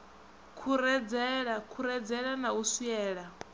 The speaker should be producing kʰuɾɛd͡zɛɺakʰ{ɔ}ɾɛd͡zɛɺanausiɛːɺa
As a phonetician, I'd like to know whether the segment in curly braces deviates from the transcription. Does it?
yes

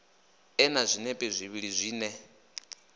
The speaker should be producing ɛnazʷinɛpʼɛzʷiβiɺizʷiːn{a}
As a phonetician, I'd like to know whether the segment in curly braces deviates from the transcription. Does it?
yes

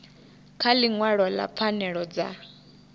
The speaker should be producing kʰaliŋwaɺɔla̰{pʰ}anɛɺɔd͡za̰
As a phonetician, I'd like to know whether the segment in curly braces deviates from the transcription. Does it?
no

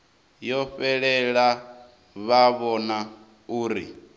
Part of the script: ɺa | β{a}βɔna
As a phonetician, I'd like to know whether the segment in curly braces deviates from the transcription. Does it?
no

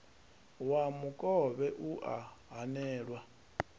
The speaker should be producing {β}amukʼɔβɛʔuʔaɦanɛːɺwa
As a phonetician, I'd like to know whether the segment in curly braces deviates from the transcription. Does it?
yes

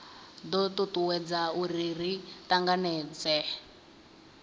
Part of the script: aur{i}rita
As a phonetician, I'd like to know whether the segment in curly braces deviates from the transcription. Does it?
no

